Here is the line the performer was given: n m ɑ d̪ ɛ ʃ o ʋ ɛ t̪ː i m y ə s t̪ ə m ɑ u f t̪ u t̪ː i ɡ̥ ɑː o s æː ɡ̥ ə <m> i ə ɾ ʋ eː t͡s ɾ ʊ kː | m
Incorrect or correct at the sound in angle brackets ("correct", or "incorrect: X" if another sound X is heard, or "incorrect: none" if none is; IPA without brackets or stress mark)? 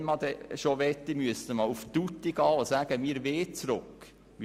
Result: correct